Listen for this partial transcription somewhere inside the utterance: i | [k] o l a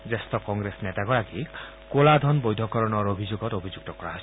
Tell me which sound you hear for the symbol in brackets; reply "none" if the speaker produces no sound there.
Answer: k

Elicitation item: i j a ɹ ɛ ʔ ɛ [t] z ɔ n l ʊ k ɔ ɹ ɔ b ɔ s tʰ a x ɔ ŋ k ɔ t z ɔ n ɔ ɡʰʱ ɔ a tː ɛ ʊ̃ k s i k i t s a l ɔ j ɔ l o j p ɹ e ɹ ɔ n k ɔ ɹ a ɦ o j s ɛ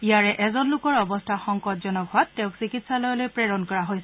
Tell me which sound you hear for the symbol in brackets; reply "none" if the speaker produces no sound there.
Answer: none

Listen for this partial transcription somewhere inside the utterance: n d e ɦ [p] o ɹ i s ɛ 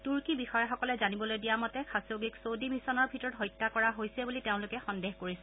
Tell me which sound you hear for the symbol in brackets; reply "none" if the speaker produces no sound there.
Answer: k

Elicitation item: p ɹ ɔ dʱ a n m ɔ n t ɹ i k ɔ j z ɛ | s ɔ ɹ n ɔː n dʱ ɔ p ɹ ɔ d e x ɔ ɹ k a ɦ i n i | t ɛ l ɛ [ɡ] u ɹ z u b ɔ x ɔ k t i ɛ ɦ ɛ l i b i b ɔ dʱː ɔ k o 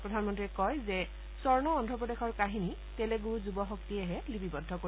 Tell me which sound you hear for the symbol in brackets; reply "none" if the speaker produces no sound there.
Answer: ɡ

